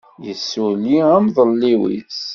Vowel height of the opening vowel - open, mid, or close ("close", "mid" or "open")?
mid